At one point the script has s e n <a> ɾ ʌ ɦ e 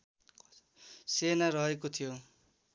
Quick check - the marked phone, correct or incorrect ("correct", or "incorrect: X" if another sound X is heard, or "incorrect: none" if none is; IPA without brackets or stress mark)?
correct